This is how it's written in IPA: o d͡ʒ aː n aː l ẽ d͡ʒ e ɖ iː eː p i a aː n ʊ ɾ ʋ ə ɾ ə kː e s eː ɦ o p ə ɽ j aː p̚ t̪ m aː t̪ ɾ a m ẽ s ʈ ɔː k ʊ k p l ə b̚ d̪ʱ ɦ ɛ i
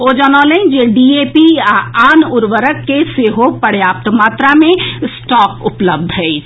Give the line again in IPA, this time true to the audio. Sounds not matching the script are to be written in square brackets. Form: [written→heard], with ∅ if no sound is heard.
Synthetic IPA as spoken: o d͡ʒ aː n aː l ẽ d͡ʒ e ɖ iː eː p i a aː n ʊ ɾ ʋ ə ɾ ə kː e s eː ɦ o p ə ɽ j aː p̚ t̪ m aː t̪ ɾ a m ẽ s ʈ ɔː k ʊ [k→∅] p l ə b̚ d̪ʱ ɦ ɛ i